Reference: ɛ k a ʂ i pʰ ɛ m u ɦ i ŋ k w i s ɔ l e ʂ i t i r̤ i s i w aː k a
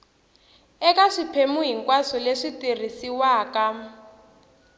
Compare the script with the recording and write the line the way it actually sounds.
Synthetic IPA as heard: ɛ k a ʂ i pʰ e m u ɦ i ŋ k w a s ɔ l e ʂ i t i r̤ i s i w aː k a